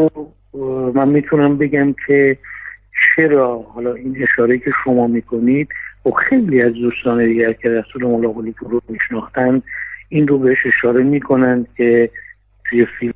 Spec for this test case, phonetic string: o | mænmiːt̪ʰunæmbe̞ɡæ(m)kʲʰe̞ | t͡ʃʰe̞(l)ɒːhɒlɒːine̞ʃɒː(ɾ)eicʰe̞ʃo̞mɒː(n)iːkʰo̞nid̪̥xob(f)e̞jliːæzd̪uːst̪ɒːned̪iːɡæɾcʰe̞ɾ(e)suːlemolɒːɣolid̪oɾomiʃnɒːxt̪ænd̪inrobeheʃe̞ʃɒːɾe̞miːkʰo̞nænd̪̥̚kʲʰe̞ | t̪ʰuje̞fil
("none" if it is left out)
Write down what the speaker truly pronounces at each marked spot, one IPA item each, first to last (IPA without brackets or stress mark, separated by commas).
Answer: m, ɾ, ɾ, m, x, æ